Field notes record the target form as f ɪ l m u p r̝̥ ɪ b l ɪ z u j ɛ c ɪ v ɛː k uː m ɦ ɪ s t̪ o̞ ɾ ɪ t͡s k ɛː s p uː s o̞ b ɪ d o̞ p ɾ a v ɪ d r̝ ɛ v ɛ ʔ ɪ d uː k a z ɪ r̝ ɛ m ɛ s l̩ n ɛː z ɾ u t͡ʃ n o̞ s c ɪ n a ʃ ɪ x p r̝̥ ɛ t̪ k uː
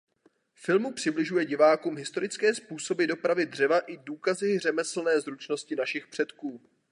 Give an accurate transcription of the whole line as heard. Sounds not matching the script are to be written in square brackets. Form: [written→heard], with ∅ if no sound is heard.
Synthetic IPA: f ɪ l m u p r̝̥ ɪ b l ɪ [z→ʒ] u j ɛ [c→ɟ] ɪ v [ɛː→aː] k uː m ɦ ɪ s t̪ o̞ ɾ ɪ t͡s k ɛː s p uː s o̞ b ɪ d o̞ p ɾ a v ɪ d r̝ ɛ v [ɛ→a] ʔ ɪ d uː k a z ɪ r̝ ɛ m ɛ s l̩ n ɛː z ɾ u t͡ʃ n o̞ s c ɪ n a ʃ ɪ x p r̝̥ ɛ t̪ k uː